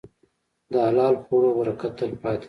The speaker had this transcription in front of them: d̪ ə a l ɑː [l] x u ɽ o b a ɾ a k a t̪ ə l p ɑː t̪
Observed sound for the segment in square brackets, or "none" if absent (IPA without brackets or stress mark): l